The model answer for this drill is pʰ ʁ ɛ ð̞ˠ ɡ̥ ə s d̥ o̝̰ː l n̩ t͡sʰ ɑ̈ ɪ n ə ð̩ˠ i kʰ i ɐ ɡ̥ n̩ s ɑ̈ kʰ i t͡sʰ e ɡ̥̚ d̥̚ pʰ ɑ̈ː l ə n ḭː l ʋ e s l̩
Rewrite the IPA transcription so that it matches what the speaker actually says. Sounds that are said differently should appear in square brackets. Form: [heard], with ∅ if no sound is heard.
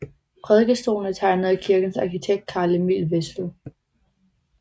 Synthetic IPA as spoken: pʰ ʁ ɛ ð̞ˠ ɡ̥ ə s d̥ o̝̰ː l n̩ t͡sʰ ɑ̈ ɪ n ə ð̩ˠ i kʰ i ɐ ɡ̥ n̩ s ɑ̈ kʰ i t͡sʰ e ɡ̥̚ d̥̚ [kʰ] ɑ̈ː l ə [m] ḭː l ʋ e s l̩